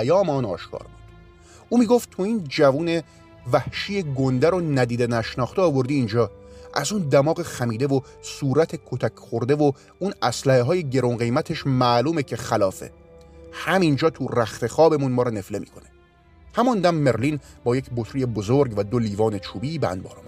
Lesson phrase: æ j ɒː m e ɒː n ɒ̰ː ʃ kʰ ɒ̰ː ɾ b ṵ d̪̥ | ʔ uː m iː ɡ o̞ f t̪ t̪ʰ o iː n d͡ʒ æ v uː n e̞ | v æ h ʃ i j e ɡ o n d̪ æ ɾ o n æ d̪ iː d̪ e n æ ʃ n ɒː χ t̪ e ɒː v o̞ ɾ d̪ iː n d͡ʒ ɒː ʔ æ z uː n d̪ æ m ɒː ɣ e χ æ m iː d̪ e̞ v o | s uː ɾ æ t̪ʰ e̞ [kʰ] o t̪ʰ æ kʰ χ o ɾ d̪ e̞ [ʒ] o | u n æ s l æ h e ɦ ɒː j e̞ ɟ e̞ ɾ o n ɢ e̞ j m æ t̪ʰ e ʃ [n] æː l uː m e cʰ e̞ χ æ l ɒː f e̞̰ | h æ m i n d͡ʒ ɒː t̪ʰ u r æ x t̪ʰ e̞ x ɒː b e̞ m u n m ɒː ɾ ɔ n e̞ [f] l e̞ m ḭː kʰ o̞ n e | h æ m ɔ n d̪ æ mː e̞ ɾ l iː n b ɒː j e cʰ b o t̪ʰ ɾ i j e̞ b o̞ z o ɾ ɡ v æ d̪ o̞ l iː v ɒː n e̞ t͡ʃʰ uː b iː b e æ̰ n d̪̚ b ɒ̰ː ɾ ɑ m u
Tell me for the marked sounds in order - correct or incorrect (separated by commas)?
correct, incorrect, incorrect, correct